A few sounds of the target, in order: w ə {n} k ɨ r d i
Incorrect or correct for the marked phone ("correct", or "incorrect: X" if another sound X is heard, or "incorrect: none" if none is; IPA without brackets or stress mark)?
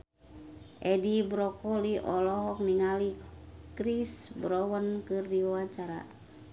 correct